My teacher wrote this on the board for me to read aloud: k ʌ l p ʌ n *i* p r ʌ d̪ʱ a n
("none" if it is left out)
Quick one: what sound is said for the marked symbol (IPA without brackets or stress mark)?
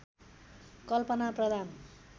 a